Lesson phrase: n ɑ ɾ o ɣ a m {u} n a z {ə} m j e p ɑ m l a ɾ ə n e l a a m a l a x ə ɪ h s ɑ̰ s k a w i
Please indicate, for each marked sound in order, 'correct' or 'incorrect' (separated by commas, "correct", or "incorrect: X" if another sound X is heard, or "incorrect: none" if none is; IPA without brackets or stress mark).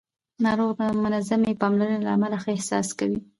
incorrect: ʊ, incorrect: a